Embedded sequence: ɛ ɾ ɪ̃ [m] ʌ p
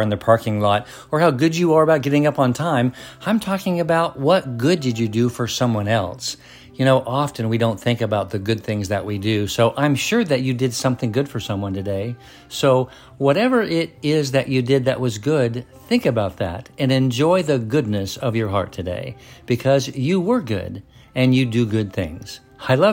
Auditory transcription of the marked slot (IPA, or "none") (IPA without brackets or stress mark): ŋ